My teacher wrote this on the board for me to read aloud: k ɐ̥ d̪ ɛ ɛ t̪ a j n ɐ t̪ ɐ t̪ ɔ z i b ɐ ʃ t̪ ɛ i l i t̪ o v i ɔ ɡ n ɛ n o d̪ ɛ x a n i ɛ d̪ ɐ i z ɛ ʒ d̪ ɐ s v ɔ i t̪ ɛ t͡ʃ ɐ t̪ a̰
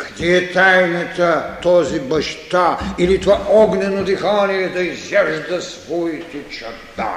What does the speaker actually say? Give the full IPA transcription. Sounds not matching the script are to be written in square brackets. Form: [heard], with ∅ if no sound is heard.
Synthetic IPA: k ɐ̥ d̪ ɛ ɛ t̪ a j n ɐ t̪ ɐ t̪ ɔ z i b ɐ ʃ t̪ [a] i l i t̪ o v [a] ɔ ɡ n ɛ n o d̪ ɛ x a n i ɛ d̪ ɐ i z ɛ ʒ d̪ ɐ s v ɔ i t̪ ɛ t͡ʃ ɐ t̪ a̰